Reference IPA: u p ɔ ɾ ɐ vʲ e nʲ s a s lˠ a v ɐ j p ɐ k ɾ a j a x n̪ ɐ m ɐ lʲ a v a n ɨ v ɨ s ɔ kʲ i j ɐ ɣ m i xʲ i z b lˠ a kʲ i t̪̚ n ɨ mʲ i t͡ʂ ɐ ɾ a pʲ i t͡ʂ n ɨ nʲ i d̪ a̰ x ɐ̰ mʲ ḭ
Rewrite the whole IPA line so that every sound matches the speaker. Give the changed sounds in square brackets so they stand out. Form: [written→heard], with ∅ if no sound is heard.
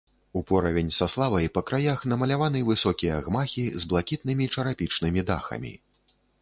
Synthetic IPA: u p ɔ ɾ ɐ vʲ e nʲ s a s lˠ a v ɐ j p ɐ k ɾ a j a x n̪ ɐ m ɐ lʲ a v a n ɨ v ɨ s ɔ kʲ i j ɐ ɣ m [i→a] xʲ i z b lˠ a kʲ i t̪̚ n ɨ mʲ i t͡ʂ ɐ ɾ a pʲ i t͡ʂ n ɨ [nʲ→mʲ] i d̪ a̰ x ɐ̰ mʲ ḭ